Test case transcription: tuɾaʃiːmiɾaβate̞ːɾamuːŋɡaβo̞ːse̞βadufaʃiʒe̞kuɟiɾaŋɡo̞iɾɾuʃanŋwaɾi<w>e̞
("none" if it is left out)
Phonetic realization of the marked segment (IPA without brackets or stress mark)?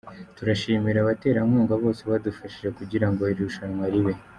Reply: β